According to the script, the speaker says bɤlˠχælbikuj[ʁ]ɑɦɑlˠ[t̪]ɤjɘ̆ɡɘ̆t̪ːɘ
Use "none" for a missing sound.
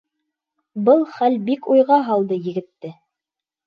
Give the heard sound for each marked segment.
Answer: ʁ, d̪

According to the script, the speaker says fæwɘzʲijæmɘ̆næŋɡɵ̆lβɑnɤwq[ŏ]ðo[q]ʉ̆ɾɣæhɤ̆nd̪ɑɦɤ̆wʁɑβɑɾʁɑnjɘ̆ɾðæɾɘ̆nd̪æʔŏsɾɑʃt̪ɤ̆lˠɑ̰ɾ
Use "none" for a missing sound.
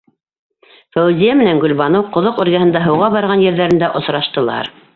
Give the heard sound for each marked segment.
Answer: ŏ, q

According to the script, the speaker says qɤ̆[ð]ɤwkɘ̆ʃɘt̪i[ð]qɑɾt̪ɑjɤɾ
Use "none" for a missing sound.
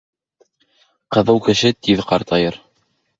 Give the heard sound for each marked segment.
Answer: ð, ð

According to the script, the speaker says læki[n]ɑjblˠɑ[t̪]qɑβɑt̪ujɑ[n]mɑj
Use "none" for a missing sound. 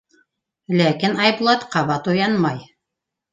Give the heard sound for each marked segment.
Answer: n, t̪, n

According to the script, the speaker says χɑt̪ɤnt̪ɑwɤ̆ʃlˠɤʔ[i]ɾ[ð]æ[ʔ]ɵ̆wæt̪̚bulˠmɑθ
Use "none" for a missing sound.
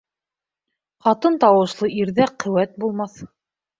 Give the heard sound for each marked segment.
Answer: i, ð, q

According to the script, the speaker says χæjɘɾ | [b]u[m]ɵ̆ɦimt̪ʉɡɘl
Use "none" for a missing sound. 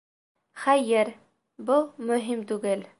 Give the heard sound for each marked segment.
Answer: b, m

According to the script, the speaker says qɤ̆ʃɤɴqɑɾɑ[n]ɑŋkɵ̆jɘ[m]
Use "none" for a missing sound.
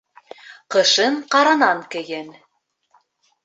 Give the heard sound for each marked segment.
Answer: n, n

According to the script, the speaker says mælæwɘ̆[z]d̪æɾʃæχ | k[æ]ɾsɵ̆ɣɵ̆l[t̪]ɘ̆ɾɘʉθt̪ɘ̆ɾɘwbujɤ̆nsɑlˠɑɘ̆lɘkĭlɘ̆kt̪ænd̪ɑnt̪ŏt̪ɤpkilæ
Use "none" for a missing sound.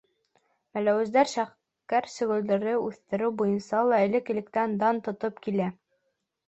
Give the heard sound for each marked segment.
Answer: z, æ, d̪

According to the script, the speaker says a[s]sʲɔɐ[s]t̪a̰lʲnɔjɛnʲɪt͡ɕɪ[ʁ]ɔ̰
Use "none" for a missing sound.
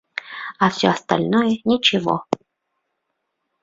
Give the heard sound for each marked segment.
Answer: f, s, v

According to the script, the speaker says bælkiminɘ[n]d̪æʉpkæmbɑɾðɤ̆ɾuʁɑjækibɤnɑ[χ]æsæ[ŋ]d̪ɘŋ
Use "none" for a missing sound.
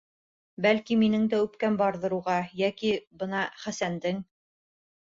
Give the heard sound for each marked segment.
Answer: ŋ, χ, n

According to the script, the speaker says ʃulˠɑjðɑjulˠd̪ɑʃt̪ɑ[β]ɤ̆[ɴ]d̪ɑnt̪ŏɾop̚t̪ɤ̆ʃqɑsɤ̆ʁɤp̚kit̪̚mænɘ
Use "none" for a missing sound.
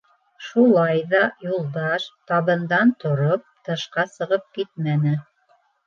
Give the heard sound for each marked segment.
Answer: β, n

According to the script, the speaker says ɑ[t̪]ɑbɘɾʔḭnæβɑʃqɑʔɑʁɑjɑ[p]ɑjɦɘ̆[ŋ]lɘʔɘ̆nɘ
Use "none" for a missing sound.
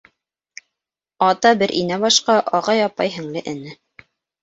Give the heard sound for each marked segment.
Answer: t̪, p, ŋ

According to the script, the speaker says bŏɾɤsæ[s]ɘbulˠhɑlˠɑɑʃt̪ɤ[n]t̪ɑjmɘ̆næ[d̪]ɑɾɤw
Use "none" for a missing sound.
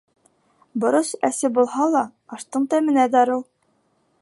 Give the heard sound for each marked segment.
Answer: s, ɴ, d̪

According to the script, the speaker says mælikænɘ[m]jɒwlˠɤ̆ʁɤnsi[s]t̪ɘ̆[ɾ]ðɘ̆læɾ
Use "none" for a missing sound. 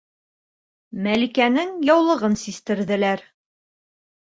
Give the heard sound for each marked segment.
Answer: ŋ, s, ɾ

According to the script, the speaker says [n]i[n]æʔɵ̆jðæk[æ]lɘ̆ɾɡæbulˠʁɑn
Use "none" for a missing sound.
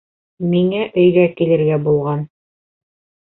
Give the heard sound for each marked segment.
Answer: m, ŋ, i

